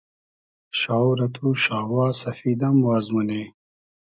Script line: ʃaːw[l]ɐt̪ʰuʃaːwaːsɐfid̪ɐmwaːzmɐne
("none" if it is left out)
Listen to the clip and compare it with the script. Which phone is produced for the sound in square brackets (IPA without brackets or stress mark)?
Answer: ɾ